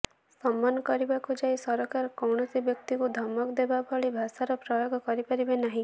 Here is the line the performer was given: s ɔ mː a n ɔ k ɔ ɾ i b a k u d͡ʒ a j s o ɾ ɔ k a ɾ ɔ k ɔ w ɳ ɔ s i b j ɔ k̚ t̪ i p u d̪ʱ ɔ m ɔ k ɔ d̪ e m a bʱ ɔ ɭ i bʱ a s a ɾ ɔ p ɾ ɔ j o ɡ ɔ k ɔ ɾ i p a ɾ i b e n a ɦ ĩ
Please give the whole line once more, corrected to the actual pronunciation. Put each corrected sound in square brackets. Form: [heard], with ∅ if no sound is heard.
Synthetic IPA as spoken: s ɔ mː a n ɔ k ɔ ɾ i b a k u d͡ʒ a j s [ɔ] ɾ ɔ k a ɾ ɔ k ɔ w ɳ ɔ s i b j ɔ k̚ t̪ i [k] u d̪ʱ ɔ m ɔ k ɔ d̪ e [b] a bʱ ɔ ɭ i bʱ a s a ɾ ɔ p ɾ ɔ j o ɡ ɔ k ɔ ɾ i p a ɾ i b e n a ɦ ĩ